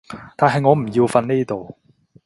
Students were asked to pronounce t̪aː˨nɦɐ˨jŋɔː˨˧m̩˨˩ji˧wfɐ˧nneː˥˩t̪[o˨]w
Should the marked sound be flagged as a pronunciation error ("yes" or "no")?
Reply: no